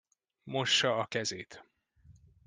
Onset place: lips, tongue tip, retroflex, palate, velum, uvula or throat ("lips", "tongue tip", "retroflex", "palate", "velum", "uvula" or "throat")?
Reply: lips